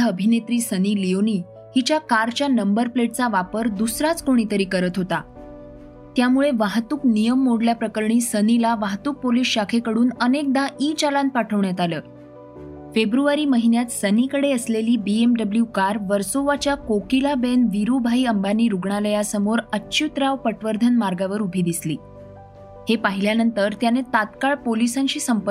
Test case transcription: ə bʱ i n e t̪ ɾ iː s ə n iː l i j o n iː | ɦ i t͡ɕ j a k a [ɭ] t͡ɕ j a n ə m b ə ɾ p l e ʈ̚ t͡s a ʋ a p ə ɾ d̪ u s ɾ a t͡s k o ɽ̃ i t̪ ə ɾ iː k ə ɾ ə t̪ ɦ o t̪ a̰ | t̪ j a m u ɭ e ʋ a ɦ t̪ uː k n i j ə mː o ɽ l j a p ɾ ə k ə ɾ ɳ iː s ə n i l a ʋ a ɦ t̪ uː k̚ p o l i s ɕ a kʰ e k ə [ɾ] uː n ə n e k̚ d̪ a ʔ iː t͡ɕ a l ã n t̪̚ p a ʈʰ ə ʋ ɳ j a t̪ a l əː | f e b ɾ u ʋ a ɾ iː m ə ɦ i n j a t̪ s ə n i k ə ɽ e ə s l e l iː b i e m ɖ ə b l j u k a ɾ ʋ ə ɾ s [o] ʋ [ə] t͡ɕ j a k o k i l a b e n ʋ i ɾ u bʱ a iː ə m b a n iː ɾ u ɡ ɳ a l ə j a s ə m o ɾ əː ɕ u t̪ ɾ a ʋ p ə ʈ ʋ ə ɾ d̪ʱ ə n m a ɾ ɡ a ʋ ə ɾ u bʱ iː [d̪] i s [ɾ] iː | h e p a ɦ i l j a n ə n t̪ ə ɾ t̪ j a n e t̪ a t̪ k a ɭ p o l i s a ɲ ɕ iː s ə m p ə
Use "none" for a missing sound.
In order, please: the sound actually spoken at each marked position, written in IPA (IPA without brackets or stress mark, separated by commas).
ɾ, ɽ, o, a, d̪, l